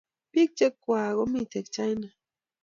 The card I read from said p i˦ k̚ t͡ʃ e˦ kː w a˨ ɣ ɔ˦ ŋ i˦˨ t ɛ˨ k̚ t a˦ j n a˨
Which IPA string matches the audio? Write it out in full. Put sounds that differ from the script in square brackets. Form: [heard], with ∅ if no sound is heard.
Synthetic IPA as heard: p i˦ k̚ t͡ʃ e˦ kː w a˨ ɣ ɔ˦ [m] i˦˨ t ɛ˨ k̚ [t͡ʃ] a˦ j n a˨